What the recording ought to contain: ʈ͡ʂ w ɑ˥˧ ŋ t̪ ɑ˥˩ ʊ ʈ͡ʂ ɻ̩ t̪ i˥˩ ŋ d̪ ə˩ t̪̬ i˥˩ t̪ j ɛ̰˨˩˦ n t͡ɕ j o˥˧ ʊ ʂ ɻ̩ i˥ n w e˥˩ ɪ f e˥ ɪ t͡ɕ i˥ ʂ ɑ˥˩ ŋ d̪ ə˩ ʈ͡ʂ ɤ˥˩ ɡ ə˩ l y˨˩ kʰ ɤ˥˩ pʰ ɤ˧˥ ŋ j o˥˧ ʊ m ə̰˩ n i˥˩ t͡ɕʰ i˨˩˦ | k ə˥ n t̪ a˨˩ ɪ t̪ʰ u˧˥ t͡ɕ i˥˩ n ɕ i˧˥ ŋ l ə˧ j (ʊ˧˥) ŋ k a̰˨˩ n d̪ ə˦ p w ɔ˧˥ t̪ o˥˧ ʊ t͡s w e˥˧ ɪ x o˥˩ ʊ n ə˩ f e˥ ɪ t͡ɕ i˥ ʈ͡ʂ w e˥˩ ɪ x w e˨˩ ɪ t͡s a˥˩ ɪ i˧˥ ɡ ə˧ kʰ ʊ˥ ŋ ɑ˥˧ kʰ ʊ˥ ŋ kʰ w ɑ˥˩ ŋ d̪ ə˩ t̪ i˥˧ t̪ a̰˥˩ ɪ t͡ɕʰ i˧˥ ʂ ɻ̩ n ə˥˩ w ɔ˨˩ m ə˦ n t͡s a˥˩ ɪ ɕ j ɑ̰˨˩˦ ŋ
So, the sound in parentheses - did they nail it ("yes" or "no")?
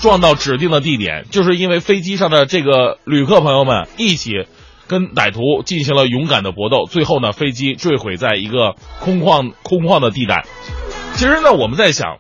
yes